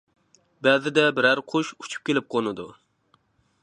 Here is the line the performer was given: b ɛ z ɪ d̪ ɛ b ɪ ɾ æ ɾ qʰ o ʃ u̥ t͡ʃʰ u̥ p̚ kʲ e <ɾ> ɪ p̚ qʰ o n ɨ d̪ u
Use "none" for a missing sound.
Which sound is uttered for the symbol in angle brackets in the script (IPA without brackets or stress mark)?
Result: l